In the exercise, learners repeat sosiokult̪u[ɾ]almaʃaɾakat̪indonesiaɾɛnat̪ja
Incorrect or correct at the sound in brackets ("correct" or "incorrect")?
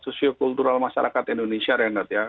correct